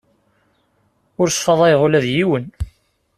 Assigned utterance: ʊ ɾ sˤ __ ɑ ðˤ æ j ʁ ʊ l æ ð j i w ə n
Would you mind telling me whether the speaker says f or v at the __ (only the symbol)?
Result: f